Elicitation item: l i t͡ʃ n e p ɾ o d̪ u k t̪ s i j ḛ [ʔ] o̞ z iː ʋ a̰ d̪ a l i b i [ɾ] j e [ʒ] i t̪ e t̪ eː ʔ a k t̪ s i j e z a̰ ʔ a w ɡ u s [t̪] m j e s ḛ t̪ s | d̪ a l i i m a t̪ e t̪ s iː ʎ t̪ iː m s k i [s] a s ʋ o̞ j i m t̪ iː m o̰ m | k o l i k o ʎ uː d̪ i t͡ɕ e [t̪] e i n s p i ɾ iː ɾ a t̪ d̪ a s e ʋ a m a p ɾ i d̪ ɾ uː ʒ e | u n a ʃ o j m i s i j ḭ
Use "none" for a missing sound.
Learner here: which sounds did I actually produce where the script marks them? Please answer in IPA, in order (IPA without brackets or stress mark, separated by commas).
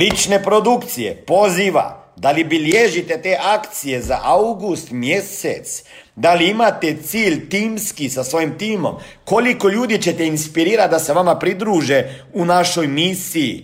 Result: p, l, ʒ, t̪, s, t̪